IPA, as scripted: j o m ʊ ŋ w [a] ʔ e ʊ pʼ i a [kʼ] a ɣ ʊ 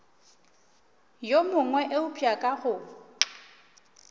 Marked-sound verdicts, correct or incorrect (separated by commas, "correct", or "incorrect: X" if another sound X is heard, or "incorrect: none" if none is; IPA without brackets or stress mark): incorrect: ɛ, correct